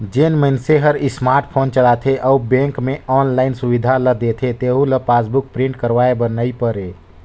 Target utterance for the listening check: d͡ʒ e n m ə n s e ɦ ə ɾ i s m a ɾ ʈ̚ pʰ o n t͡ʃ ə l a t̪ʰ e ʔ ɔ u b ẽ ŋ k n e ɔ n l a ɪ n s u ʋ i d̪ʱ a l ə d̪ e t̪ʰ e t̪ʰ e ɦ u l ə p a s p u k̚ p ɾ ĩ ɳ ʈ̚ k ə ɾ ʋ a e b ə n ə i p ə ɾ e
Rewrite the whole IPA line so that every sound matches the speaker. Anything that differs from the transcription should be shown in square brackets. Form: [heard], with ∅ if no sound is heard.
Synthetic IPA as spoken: d͡ʒ e n m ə n s e ɦ ə ɾ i s m a ɾ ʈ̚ pʰ o n t͡ʃ ə l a t̪ʰ e ʔ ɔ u b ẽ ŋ k [m] e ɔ n l a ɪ n s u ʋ i d̪ʱ a l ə d̪ e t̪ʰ e [t̪] e ɦ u l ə p a s [b] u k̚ p ɾ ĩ ɳ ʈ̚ k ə ɾ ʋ a e b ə n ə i p ə ɾ e